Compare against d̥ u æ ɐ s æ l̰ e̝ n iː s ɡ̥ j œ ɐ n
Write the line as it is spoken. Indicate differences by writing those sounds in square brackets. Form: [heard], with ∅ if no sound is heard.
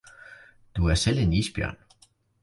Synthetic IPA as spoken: d̥ u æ ɐ s [e] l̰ e̝ n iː s [b̥] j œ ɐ n